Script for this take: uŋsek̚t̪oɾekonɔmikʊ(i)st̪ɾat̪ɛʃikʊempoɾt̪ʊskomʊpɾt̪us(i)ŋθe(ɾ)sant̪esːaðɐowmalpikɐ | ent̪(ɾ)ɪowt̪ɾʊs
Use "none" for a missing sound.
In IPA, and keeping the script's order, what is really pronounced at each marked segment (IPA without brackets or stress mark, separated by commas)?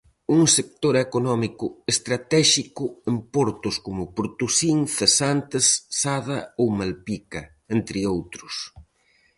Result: e, i, none, ɾ